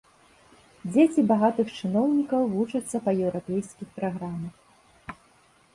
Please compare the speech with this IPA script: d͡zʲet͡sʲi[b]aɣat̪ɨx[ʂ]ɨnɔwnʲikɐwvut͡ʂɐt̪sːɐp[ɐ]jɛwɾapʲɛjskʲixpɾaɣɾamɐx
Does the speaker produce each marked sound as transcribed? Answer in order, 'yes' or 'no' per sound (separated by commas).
yes, no, yes